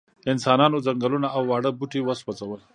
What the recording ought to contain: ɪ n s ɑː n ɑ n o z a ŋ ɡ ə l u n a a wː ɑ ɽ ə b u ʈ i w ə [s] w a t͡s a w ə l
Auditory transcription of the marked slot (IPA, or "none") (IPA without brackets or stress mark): s